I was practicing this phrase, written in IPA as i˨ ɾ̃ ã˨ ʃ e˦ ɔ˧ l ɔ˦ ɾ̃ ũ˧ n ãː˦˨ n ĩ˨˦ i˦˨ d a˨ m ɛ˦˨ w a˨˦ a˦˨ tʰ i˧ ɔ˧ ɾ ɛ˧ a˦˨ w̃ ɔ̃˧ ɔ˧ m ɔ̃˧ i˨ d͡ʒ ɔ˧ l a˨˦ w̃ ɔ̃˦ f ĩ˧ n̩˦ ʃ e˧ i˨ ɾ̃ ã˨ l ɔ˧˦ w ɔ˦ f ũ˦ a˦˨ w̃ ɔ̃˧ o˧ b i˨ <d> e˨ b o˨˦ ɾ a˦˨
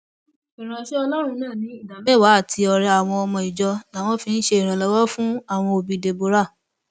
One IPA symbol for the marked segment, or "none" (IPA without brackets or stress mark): d